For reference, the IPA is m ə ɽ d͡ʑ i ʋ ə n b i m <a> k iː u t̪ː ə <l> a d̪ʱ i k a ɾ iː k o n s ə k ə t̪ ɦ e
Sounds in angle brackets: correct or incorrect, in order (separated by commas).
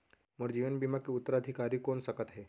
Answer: correct, incorrect